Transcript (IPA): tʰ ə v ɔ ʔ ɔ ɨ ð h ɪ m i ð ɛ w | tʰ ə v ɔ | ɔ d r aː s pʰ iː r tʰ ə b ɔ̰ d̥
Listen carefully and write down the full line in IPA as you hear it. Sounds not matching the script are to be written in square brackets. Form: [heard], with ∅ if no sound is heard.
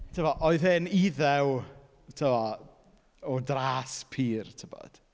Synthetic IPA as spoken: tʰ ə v ɔ ʔ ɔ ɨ ð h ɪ [n] i ð ɛ w | tʰ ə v ɔ | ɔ d r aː s pʰ iː r tʰ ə b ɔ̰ d̥